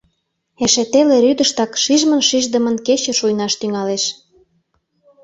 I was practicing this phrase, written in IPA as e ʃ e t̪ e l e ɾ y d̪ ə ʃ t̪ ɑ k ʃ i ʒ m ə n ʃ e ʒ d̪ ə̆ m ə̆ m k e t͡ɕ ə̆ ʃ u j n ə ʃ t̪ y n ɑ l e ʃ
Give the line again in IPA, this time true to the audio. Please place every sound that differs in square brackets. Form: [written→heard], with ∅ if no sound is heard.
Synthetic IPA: e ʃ e t̪ e l e ɾ y d̪ ə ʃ t̪ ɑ k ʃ i ʒ m ə n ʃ [e→i] ʒ d̪ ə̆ m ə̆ [m→n] k e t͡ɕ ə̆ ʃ u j n [ə→ɑ] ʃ t̪ y [n→ŋ] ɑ l e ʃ